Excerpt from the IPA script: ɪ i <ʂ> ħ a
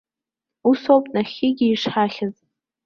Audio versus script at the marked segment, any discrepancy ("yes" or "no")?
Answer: no